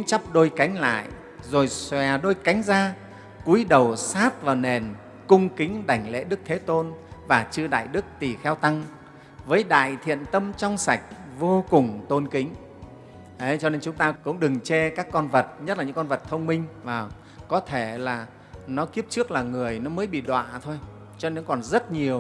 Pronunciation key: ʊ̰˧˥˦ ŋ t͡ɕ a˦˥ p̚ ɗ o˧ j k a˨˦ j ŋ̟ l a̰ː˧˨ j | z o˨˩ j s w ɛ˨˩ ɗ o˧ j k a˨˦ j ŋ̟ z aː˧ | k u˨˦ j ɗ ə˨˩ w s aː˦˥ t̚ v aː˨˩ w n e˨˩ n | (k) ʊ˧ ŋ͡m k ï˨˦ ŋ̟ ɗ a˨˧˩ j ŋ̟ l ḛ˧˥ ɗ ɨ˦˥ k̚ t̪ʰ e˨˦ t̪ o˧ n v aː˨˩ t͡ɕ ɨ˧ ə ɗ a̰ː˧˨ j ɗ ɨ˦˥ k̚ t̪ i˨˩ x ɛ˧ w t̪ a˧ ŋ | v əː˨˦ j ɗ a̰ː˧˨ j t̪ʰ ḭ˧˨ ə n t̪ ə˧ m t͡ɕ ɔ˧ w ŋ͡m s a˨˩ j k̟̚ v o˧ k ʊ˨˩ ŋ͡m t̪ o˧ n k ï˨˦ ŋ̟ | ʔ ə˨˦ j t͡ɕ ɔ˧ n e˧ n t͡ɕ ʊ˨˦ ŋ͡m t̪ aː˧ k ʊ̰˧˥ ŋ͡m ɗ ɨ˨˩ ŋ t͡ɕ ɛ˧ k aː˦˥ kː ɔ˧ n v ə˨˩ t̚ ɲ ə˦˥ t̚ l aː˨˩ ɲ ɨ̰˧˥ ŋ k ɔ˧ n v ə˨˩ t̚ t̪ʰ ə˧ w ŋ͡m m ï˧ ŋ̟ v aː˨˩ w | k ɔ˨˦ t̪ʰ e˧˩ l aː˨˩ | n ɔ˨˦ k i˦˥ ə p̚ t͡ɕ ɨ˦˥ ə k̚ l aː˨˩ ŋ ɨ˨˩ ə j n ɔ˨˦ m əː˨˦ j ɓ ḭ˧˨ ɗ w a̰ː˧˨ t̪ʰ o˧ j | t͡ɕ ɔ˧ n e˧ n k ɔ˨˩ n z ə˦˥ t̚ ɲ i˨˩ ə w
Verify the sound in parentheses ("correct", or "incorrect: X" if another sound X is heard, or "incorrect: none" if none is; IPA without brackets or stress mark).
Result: correct